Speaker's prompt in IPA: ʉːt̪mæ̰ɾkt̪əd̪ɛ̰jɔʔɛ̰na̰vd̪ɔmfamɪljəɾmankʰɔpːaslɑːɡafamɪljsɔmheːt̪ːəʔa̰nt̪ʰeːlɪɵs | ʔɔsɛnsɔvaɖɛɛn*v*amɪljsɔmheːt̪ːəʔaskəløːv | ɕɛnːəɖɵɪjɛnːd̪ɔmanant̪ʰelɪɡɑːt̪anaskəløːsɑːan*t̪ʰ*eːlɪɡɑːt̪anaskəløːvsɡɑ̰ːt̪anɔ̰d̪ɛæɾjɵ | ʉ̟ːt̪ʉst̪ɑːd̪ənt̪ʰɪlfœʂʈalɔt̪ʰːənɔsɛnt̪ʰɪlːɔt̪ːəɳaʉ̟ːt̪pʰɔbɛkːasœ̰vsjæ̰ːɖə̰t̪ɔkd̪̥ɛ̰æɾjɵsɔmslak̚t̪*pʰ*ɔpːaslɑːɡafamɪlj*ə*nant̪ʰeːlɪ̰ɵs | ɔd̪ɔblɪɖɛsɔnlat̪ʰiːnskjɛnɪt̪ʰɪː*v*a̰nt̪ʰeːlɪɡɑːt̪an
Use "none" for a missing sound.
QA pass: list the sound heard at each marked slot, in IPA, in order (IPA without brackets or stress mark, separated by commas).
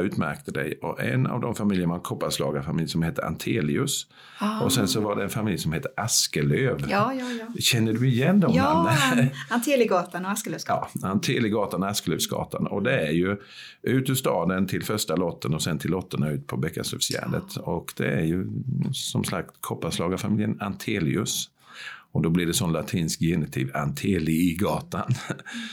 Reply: f, t̪ʰ, kʰ, ə, v